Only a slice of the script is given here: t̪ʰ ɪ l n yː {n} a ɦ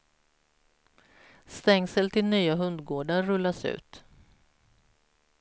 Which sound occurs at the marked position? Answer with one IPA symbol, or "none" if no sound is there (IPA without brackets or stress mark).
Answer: none